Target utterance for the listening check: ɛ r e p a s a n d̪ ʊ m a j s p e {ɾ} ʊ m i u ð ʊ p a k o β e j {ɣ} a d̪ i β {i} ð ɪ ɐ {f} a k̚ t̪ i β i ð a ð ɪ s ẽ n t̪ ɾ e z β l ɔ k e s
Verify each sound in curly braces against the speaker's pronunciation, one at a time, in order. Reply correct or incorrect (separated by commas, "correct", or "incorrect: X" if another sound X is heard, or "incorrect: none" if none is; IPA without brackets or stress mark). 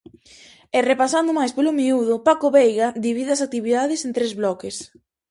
incorrect: l, correct, correct, incorrect: s